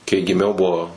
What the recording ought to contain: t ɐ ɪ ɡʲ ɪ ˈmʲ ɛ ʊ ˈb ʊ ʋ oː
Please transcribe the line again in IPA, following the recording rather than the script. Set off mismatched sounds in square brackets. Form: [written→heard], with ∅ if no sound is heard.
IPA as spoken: [t→k] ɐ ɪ ɡʲ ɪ ˈmʲ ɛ ʊ ˈb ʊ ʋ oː